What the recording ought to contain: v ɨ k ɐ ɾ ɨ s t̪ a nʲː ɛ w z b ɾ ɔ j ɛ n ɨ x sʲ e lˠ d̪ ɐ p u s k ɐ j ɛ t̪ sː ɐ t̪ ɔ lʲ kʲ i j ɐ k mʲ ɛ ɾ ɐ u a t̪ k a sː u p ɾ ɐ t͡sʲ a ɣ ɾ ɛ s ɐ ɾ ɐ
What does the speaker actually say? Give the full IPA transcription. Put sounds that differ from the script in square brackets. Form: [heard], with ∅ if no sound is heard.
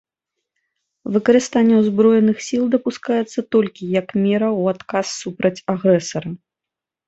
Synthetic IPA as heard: v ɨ k ɐ ɾ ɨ s t̪ a nʲː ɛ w z b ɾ ɔ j ɛ n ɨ x sʲ [i] lˠ d̪ ɐ p u s k [a] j ɛ t̪ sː ɐ t̪ ɔ lʲ kʲ i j ɐ k mʲ ɛ ɾ ɐ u a t̪ k a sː u p ɾ ɐ t͡sʲ a ɣ ɾ ɛ s ɐ ɾ ɐ

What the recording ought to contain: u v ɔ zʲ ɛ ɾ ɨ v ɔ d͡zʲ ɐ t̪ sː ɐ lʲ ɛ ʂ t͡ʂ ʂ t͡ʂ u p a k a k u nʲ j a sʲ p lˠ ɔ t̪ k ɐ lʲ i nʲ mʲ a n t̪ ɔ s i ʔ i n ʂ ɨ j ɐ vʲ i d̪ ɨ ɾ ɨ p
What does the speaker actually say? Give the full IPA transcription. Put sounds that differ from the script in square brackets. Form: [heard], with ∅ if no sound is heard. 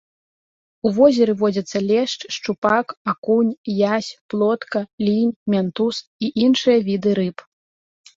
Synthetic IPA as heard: u v ɔ zʲ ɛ ɾ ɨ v ɔ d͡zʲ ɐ t̪ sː ɐ lʲ ɛ ʂ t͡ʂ ʂ t͡ʂ u p a k a k u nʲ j a sʲ p lˠ ɔ t̪ k ɐ lʲ i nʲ mʲ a n t̪ [u] s i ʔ i n ʂ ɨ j ɐ vʲ i d̪ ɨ ɾ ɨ p

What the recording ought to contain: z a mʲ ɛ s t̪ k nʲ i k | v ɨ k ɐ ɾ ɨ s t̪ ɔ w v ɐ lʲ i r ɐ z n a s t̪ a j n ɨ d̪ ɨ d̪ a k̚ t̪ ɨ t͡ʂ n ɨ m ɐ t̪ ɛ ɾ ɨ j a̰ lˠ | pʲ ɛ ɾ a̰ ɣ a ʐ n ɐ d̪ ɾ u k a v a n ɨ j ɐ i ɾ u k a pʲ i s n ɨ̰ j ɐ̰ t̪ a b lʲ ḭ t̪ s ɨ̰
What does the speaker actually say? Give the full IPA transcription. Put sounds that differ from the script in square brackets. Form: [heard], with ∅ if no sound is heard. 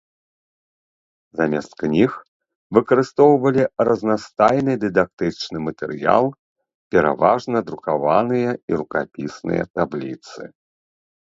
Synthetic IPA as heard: z a mʲ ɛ s t̪ k nʲ i [x] | v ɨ k ɐ ɾ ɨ s t̪ ɔ w v ɐ lʲ i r ɐ z n a s t̪ a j n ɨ d̪ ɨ d̪ a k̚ t̪ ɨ t͡ʂ n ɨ m ɐ t̪ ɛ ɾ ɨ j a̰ lˠ | pʲ ɛ ɾ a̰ [v] a ʐ n ɐ d̪ ɾ u k a v a n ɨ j ɐ i ɾ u k a pʲ i s n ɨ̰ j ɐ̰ t̪ a b lʲ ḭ t̪ s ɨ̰

